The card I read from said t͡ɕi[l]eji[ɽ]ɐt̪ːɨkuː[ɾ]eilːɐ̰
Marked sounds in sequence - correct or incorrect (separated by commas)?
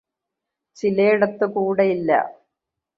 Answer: correct, correct, incorrect